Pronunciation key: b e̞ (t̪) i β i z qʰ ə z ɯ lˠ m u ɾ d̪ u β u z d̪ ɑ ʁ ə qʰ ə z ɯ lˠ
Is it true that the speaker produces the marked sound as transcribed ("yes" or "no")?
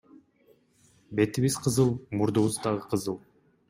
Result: yes